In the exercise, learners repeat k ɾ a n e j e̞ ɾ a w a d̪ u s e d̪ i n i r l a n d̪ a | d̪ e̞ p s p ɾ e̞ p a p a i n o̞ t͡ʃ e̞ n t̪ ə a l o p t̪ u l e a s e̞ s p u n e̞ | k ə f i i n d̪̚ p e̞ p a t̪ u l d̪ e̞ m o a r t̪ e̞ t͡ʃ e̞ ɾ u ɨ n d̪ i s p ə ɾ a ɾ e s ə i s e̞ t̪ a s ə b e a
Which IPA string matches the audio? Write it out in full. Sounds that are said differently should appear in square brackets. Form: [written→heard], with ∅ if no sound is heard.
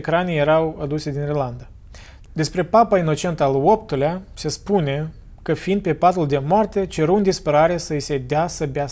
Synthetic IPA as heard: k ɾ a n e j e̞ ɾ a w a d̪ u s e d̪ i n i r l a n d̪ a | d̪ e̞ [p→∅] s p ɾ e̞ p a p a i n o̞ t͡ʃ e̞ n t̪ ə a l o p t̪ u l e a s e̞ s p u n e̞ | k ə f i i n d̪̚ p e̞ p a t̪ u l d̪ e̞ m o a r t̪ e̞ t͡ʃ e̞ ɾ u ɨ n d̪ i s p ə ɾ a ɾ e s ə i s e̞ [t̪→d̪] a s ə b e a